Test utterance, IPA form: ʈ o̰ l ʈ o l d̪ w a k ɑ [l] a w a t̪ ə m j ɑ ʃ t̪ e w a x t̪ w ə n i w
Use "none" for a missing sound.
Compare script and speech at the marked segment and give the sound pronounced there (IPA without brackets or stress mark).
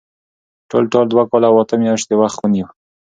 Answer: l